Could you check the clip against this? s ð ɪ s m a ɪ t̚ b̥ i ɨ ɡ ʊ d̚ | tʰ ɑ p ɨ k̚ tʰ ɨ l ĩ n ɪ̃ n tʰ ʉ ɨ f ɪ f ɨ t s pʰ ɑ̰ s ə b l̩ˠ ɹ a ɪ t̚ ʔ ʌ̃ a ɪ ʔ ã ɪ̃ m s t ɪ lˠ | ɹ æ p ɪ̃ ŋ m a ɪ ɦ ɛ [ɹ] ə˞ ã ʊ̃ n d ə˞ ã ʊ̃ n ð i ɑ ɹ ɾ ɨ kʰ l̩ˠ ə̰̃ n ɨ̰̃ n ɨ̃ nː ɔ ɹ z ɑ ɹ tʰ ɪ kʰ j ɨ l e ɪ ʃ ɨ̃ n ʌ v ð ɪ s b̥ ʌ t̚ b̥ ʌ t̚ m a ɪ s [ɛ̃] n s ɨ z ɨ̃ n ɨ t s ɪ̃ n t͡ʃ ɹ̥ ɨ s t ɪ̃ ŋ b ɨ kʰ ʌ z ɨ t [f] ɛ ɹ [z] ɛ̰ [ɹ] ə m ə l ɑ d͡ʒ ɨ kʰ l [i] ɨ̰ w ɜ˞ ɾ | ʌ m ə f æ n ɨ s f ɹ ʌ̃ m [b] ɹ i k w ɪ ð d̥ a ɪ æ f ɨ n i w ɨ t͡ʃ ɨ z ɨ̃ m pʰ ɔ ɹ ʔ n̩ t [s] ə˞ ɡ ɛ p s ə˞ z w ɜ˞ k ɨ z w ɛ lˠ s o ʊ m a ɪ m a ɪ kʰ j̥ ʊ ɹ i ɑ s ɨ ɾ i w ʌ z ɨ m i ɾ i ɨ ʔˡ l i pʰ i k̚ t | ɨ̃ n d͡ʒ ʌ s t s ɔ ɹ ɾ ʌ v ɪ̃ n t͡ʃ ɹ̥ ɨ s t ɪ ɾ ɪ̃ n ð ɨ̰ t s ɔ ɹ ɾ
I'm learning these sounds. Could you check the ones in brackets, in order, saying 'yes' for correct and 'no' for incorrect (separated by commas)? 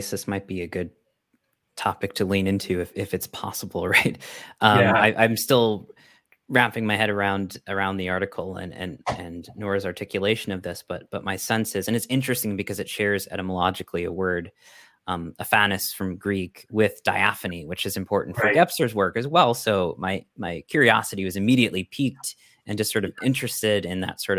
no, yes, no, yes, no, yes, no, no